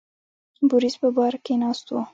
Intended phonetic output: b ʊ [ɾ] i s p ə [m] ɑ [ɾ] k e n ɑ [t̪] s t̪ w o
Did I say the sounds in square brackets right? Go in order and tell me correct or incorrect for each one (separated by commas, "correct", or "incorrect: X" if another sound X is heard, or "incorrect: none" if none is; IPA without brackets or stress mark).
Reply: correct, incorrect: b, correct, incorrect: none